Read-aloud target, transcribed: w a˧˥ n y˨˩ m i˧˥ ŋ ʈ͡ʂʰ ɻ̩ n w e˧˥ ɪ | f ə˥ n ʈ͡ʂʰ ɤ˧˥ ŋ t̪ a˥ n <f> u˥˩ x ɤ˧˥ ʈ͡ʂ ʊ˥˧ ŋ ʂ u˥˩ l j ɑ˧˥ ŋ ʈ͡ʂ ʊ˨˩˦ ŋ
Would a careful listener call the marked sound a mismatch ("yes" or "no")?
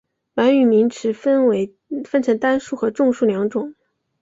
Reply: yes